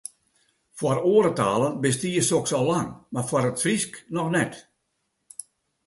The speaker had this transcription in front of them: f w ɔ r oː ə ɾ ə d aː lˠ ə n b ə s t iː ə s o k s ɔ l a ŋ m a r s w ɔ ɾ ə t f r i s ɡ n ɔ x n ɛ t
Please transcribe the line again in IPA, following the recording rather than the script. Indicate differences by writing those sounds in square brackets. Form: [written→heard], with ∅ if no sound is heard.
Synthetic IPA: f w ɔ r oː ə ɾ ə [d→t] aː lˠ ə n b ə s t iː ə s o k s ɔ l a ŋ m a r [s→f] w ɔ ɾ ə t f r i s [ɡ→k] n ɔ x n ɛ t